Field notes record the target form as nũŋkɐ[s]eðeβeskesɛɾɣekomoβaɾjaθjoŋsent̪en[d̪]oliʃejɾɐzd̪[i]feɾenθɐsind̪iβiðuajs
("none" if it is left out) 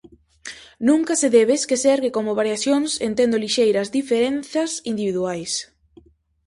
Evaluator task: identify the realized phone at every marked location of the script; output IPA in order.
s, d̪, i

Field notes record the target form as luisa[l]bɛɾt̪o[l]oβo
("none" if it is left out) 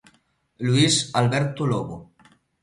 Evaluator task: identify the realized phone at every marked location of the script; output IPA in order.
l, l

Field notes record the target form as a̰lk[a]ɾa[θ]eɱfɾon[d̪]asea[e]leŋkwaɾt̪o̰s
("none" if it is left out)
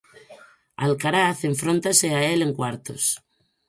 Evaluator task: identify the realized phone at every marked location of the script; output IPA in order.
a, θ, t̪, e

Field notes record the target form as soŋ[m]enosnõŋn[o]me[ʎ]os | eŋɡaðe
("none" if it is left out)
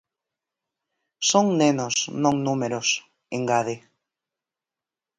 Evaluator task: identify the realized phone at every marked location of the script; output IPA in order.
n, u, ɾ

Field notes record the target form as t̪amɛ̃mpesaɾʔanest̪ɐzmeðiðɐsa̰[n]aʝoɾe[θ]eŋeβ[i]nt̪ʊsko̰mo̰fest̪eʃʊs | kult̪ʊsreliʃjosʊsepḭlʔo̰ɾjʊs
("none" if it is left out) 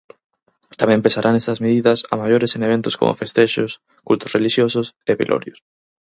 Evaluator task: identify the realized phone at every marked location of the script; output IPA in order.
m, s, e

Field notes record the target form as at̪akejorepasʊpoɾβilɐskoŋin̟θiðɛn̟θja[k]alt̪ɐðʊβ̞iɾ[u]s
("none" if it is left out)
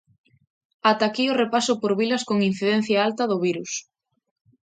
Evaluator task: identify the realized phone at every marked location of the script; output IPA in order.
none, u

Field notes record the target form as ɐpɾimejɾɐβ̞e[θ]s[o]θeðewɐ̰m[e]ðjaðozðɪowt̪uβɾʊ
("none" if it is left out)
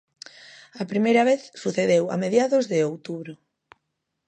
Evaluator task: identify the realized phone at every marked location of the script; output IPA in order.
θ, u, e

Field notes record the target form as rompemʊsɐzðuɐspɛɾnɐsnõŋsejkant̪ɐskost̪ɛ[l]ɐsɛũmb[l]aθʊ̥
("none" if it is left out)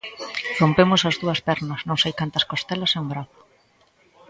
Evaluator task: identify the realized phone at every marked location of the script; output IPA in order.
l, ɾ

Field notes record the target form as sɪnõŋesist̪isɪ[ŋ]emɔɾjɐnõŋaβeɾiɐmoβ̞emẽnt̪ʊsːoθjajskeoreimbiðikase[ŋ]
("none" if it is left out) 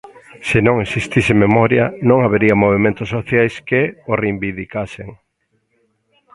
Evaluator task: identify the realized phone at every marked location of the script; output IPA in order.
m, ŋ

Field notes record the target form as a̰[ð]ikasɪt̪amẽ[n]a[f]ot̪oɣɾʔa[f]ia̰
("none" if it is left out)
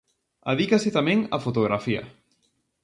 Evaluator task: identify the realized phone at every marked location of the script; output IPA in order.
ð, ŋ, f, f

